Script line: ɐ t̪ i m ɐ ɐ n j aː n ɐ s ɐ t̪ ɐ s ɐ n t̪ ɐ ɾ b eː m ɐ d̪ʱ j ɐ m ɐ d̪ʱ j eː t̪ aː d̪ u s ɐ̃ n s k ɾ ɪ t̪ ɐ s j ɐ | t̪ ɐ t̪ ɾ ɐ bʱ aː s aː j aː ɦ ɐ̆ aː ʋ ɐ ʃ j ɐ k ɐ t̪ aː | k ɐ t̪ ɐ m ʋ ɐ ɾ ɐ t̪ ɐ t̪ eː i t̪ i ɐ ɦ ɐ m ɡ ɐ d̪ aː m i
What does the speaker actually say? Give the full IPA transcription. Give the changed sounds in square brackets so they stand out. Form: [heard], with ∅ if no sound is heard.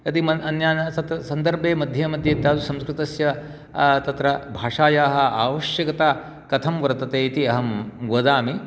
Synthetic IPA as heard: ɐ t̪ i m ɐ ɐ n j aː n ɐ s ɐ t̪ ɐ s ɐ n [d̪] ɐ ɾ b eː m ɐ d̪ʱ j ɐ m ɐ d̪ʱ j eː t̪ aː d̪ u s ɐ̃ [m] s k ɾ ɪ t̪ ɐ s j ɐ | t̪ ɐ t̪ ɾ ɐ bʱ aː [ʂ] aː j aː ɦ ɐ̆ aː ʋ ɐ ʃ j ɐ k ɐ t̪ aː | k ɐ [t̪ʰ] ɐ m ʋ ɐ ɾ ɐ t̪ ɐ t̪ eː i t̪ i ɐ ɦ ɐ m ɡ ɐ d̪ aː m i

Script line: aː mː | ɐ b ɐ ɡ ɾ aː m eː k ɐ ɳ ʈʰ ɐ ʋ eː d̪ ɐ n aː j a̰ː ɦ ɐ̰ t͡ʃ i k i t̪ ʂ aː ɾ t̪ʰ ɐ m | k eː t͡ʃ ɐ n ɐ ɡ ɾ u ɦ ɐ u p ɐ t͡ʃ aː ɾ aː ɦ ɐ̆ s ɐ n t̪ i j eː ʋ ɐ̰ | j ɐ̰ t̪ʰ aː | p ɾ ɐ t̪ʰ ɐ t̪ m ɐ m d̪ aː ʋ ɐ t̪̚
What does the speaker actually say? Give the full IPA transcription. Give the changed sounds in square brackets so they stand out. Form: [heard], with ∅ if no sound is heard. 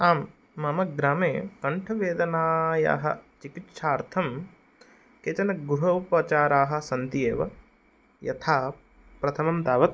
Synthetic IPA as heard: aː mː | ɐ [m] ɐ ɡ ɾ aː m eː k ɐ ɳ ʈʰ ɐ ʋ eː d̪ ɐ n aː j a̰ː ɦ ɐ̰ t͡ʃ i k i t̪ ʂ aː ɾ t̪ʰ ɐ m | k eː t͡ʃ ɐ n ɐ ɡ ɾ u ɦ ɐ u p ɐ t͡ʃ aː ɾ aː ɦ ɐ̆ s ɐ n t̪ i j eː ʋ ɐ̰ | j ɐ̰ t̪ʰ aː | p ɾ ɐ t̪ʰ ɐ [∅] m ɐ m d̪ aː ʋ ɐ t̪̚

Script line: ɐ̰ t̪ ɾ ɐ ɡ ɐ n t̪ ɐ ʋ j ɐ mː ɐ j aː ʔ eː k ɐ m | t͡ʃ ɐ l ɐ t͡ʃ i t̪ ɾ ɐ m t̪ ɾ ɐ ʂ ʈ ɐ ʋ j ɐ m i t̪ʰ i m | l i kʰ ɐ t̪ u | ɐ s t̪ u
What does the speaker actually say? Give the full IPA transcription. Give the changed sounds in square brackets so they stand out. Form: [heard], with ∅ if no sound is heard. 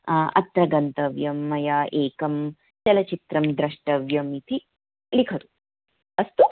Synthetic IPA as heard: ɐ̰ t̪ ɾ ɐ ɡ ɐ n t̪ ɐ ʋ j ɐ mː ɐ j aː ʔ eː k ɐ m | t͡ʃ ɐ l ɐ t͡ʃ i t̪ ɾ ɐ m [d̪] ɾ ɐ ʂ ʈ ɐ ʋ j ɐ m i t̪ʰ i [∅] | l i kʰ ɐ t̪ u | ɐ s t̪ u

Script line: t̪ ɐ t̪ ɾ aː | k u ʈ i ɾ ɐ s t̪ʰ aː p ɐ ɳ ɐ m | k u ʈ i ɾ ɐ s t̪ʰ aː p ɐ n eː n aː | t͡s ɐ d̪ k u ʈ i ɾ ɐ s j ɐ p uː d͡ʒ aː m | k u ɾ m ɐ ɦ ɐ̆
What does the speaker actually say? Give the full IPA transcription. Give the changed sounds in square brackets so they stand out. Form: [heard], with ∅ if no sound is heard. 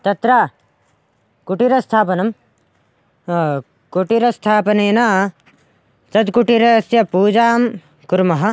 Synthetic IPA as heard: t̪ ɐ t̪ ɾ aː | k u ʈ i ɾ ɐ s t̪ʰ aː p ɐ [n] ɐ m | k u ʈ i ɾ ɐ s t̪ʰ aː p ɐ n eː n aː | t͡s ɐ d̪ k u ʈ i ɾ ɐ s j ɐ p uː d͡ʒ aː m | k u ɾ m ɐ ɦ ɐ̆

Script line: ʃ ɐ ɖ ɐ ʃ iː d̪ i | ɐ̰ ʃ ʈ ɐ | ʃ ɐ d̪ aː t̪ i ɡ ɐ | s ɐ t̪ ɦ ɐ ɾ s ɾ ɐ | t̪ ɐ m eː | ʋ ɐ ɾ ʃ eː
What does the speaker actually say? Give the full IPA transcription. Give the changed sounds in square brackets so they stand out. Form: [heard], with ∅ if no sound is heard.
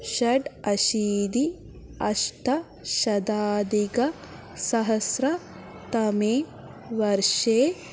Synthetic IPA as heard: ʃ ɐ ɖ ɐ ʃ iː d̪ i | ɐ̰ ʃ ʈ ɐ | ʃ ɐ d̪ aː [d̪] i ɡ ɐ | s ɐ [∅] ɦ ɐ [∅] s ɾ ɐ | t̪ ɐ m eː | ʋ ɐ ɾ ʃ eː

